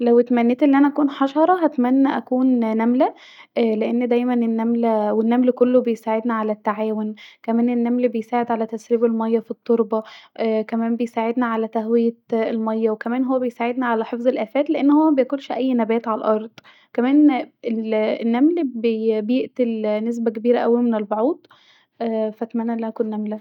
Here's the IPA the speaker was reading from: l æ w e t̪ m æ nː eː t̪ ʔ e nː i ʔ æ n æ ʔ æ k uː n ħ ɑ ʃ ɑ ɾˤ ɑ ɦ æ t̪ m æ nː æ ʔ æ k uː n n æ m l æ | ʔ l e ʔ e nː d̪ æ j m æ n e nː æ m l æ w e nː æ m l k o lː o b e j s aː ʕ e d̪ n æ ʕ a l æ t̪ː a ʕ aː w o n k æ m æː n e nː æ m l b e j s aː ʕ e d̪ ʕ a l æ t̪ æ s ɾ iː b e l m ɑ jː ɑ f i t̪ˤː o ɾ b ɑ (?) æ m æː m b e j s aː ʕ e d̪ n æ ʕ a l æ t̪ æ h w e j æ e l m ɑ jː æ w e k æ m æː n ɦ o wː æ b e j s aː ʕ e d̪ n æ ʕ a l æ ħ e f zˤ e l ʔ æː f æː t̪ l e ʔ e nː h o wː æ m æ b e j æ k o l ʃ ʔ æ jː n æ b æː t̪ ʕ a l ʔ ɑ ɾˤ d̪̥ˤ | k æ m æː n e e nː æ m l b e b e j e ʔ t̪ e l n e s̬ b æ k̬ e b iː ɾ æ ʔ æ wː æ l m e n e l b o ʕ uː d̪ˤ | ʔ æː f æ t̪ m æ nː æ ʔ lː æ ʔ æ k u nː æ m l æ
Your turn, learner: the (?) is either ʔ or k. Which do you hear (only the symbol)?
k